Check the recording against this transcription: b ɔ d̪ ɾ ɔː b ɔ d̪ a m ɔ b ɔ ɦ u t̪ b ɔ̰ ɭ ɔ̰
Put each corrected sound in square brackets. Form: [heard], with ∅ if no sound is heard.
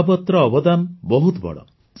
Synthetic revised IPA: b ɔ [t̪] ɾ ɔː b ɔ d̪ a [n] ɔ b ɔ ɦ u t̪ b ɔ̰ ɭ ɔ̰

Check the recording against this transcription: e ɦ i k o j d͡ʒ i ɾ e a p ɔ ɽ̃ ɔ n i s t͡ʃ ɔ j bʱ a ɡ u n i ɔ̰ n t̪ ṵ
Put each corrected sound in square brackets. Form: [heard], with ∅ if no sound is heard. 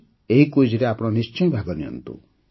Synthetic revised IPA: e ɦ i k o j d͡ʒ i ɾ e a p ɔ ɽ̃ ɔ n i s t͡ʃ ɔ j bʱ a ɡ [ɔ] n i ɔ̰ n t̪ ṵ

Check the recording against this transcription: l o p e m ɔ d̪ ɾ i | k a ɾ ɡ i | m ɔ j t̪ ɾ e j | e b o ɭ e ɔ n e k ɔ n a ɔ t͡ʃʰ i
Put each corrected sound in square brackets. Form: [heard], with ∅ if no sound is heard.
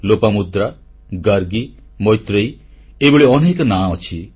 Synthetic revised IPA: l o p [a] m [u] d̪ ɾ [a] | [ɡ] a ɾ ɡ i | m ɔ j t̪ ɾ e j | e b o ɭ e ɔ n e k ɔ n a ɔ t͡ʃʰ i

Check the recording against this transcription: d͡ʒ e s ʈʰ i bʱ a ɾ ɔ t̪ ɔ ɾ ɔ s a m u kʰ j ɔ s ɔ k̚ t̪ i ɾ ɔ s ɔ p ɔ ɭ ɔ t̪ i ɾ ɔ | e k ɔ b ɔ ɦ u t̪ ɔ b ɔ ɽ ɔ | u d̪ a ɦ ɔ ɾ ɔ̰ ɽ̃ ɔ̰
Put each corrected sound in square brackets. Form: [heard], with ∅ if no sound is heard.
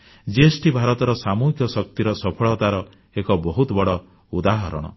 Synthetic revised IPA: d͡ʒ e s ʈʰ i bʱ a ɾ ɔ t̪ ɔ ɾ ɔ s a m u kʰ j ɔ s ɔ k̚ t̪ i ɾ ɔ s ɔ [pʰ] ɔ ɭ ɔ t̪ [a] ɾ ɔ | e k ɔ b ɔ ɦ u t̪ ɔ b ɔ ɽ ɔ | u d̪ a ɦ ɔ ɾ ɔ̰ ɽ̃ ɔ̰

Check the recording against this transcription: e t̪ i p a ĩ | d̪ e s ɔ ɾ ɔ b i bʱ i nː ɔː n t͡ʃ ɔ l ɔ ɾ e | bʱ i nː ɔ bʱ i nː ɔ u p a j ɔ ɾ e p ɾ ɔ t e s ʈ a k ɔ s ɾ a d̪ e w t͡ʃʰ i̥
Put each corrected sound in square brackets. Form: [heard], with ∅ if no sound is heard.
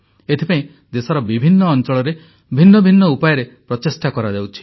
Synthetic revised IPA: e [t̪ʰ] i p a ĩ | d̪ e s ɔ ɾ ɔ b i bʱ i nː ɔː n t͡ʃ ɔ [ɭ] ɔ ɾ e | bʱ i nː ɔ bʱ i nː ɔ u p a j ɔ ɾ e p ɾ ɔ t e s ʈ a k ɔ [∅] ɾ a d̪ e w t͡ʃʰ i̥

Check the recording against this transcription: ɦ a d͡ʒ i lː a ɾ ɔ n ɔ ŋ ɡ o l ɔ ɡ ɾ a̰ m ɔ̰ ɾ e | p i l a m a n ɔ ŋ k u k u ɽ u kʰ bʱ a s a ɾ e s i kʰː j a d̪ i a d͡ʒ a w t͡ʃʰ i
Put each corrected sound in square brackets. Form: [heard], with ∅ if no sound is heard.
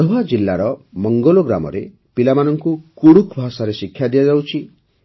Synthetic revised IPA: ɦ a d͡ʒ i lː a ɾ ɔ [m] ɔ ŋ ɡ o l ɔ ɡ ɾ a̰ m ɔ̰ ɾ e | p i l a m a n ɔ ŋ k u k u ɽ u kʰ bʱ a s a ɾ e s i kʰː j a d̪ i a d͡ʒ a w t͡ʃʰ i

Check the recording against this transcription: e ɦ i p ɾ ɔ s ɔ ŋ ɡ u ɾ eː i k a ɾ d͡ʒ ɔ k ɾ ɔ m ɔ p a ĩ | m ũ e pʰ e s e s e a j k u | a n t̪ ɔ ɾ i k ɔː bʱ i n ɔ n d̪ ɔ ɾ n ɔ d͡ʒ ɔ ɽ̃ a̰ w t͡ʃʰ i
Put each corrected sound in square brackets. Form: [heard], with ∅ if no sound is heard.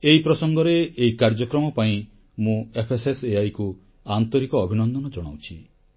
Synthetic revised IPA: e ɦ i p ɾ ɔ s ɔ ŋ ɡ [ɔ] ɾ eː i k a ɾ d͡ʒ ɔ k ɾ ɔ m ɔ p a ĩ | m ũ e pʰ e s e s e a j k u | a n t̪ ɔ ɾ i k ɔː bʱ i n ɔ n d̪ ɔ [∅] n ɔ d͡ʒ ɔ ɽ̃ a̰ w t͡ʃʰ i

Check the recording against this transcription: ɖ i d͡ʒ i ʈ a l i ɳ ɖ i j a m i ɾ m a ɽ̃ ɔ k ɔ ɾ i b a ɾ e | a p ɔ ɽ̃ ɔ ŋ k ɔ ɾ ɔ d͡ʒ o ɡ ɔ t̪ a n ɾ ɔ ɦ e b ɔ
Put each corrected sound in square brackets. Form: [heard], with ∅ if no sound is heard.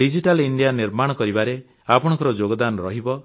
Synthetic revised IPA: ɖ i d͡ʒ i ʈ a l i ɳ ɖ i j a [n] i ɾ m a ɽ̃ ɔ k ɔ ɾ i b a ɾ e | a p ɔ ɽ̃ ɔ ŋ k ɔ ɾ ɔ d͡ʒ o ɡ ɔ [d̪] a n ɾ ɔ ɦ [i] b ɔ

